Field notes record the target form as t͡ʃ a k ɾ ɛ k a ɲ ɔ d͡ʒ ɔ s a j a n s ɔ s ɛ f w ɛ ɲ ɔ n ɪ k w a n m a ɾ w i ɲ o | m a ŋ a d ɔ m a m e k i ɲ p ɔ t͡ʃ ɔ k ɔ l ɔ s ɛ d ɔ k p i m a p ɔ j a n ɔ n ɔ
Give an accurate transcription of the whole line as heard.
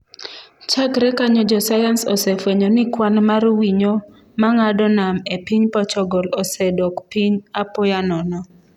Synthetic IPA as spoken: t͡ʃ a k ɾ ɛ k a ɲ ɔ d͡ʒ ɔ s a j a n s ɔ s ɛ f w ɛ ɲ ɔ n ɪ k w a n m a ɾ w i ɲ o | m a ŋ a d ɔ n a m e p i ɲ p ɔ t͡ʃ ɔ ɡ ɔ l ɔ s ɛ d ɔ k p i ɲ a p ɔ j a n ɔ n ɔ

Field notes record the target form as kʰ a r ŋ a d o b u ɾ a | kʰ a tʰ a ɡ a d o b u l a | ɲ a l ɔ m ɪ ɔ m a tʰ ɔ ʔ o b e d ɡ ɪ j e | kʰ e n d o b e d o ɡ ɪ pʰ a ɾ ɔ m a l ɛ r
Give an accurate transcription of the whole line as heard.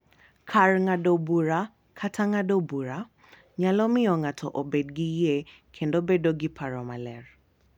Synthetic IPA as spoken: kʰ a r ŋ a d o b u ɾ a | kʰ a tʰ a ŋ a d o b u ɾ a | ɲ a l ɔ m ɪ ɔ ŋ a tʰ ɔ ʔ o b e d ɡ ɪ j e | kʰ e n d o b e d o ɡ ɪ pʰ a ɾ ɔ m a l ɛ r

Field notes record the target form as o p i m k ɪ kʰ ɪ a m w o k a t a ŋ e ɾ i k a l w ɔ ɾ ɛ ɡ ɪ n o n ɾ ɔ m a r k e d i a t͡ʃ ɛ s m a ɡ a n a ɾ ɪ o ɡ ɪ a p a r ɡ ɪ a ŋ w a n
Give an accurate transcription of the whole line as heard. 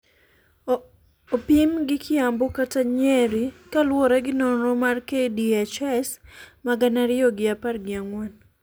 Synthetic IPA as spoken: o p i m ɡ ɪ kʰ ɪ a m b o k a t a ɲ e ɾ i k a l w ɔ ɾ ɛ ɡ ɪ n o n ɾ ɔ m a r k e d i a t͡ʃ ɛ s m a ɡ a n a ɾ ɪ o ɡ ɪ a p a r ɡ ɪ a ŋ w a n

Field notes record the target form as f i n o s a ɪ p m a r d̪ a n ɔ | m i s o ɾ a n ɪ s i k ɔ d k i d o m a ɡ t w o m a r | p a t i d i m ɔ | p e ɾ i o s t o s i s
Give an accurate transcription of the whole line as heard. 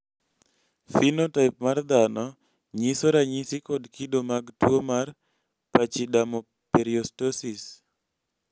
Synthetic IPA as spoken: f i n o t a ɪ p m a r d̪ a n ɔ | ɲ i s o ɾ a ɲ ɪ s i k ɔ d k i d o m a ɡ t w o m a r | p a t͡ʃ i d a m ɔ | p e ɾ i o s t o s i s

